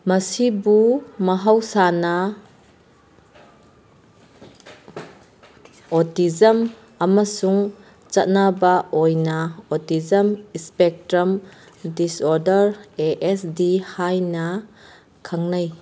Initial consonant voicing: voiced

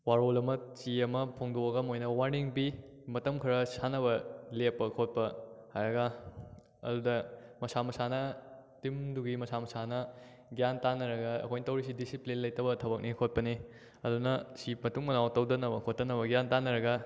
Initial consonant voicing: voiced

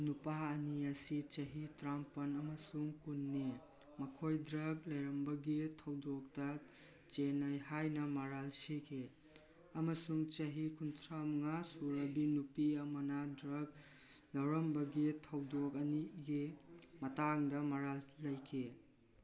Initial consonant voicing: voiced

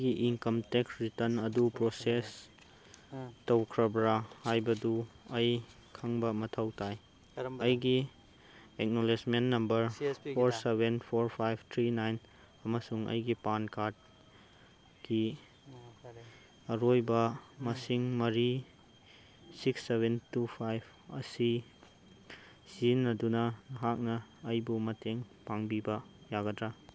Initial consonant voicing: voiced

